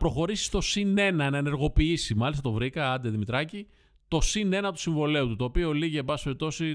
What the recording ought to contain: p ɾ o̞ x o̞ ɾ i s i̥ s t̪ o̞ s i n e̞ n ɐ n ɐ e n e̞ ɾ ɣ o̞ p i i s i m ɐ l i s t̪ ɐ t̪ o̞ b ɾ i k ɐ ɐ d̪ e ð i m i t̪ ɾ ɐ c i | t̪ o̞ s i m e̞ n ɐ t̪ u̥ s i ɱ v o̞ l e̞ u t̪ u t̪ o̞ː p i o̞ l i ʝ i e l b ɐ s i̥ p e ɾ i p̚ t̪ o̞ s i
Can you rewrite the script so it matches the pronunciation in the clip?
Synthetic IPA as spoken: p ɾ o̞ x o̞ ɾ i s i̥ s t̪ o̞ s i n e̞ n ɐ n ɐ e n e̞ ɾ ɣ o̞ p i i s i m ɐ l i s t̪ ɐ t̪ o̞ v ɾ i k ɐ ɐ d̪ e ð i m i t̪ ɾ ɐ c i | t̪ o̞ s i n e̞ n ɐ t̪ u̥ s i ɱ v o̞ l e̞ u t̪ u t̪ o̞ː p i o̞ l i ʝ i e b ɐ s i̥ p e ɾ i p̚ t̪ o̞ s i